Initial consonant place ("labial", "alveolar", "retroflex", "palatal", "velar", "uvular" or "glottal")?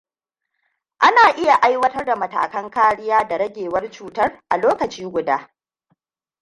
glottal